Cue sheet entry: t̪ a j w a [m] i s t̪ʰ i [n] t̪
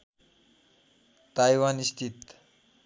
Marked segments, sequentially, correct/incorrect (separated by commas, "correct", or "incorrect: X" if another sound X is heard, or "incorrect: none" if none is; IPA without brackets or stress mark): incorrect: n, incorrect: none